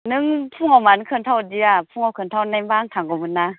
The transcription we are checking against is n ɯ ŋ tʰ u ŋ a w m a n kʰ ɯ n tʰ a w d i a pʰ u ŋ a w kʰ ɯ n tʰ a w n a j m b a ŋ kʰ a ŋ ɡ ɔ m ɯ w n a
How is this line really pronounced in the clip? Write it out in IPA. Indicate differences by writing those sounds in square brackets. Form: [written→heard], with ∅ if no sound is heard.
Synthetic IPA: n ɯ ŋ [tʰ→pʰ] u ŋ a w m a n kʰ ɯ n tʰ a w d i a pʰ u ŋ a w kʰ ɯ n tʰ a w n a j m b a ŋ [kʰ→tʰ] a ŋ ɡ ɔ m ɯ [w→∅] n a

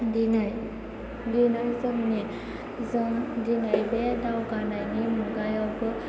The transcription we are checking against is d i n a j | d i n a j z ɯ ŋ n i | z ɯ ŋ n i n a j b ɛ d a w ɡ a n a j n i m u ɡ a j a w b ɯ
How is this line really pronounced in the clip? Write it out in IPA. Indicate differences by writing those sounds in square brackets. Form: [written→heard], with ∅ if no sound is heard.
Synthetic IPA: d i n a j | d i n a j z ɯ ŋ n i | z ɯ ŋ [n→d] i n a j b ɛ d a w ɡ a n a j n i m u ɡ a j a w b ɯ

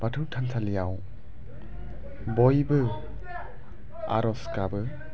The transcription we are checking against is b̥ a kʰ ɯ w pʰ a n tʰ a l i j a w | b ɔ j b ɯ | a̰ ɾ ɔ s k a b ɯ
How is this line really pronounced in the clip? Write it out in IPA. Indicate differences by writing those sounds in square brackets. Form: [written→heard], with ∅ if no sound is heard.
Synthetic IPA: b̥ a [kʰ→tʰ] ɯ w [pʰ→tʰ] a n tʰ a l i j a w | b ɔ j b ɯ | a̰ ɾ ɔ s k a b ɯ

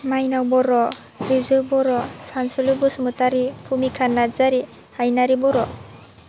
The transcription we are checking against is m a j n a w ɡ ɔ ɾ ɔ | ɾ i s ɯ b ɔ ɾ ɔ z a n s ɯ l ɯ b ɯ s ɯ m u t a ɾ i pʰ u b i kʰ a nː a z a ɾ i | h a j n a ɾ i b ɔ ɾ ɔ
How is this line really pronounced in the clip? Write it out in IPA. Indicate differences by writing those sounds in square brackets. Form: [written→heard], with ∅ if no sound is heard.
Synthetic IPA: m a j n a w [ɡ→b] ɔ ɾ ɔ | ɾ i [s→z] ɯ b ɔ ɾ ɔ [z→s] a n s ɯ l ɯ b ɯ s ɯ m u t a ɾ i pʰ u [b→m] i kʰ a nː a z a ɾ i | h a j n a ɾ i b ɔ ɾ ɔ

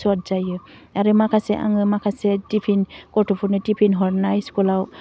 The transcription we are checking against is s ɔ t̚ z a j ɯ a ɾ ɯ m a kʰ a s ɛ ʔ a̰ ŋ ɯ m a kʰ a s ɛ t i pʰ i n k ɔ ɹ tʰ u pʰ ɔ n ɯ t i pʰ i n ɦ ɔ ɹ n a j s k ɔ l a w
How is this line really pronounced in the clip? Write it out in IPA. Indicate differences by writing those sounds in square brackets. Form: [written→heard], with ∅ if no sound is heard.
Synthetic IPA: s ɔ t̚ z a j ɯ a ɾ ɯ m a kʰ a s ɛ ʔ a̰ ŋ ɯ m a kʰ a s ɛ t i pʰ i n k ɔ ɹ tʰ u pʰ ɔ n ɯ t i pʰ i n ɦ ɔ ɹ n a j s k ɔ l a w

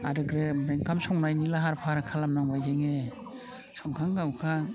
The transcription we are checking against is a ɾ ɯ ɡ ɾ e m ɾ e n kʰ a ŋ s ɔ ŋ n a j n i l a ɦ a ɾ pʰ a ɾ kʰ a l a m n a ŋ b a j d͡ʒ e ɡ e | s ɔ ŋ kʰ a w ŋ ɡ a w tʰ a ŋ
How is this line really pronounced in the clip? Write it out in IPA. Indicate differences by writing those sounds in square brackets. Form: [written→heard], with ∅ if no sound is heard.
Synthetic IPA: a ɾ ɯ ɡ ɾ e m ɾ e [n→ŋ] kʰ a [ŋ→m] s ɔ ŋ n a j n i l a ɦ a ɾ pʰ a ɾ kʰ a l a m n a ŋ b a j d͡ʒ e [ɡ→ŋ] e | s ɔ ŋ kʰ a [w→∅] ŋ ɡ a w [tʰ→kʰ] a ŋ

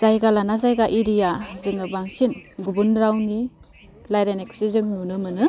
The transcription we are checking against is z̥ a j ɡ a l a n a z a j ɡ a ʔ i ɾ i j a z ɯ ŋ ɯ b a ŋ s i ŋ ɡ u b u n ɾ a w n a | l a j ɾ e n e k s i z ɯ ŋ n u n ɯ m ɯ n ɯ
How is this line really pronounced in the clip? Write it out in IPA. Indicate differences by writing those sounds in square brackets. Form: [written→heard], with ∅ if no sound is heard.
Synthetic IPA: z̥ a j ɡ a l a n a z a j ɡ a ʔ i ɾ i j a z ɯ ŋ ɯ b a ŋ s i [ŋ→n] ɡ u b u n ɾ a w n [a→i] | l a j ɾ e n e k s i z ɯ ŋ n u n ɯ m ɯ n ɯ

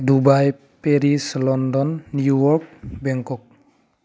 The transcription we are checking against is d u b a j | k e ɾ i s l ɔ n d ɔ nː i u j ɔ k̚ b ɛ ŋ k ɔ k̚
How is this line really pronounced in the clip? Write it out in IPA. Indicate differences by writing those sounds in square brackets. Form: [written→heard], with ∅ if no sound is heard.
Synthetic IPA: d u b a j | [k→p] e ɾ i s l ɔ n d ɔ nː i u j ɔ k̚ b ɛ ŋ k ɔ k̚

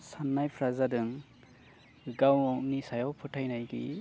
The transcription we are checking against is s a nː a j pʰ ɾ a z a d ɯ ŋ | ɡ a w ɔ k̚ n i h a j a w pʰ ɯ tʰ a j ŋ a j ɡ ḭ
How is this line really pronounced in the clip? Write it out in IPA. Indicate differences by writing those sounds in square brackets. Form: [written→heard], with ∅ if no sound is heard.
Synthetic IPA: s a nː a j pʰ ɾ a z a d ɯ ŋ | ɡ a w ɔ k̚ n i [h→s] a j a w pʰ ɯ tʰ a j [ŋ→n] a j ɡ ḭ

